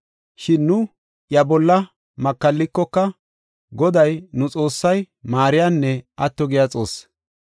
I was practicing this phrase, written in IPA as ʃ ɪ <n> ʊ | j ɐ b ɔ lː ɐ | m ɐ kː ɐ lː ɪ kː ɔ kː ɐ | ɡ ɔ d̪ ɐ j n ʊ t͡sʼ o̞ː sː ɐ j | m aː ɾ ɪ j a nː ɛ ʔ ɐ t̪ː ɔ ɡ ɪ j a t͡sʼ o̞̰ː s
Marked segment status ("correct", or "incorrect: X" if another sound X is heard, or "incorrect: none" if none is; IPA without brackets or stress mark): incorrect: nː